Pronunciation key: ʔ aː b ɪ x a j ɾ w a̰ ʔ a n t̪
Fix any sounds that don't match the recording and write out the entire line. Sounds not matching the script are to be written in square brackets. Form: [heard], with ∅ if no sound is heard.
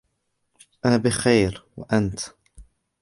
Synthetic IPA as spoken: ʔ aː b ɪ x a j ɾ w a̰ ʔ a n t̪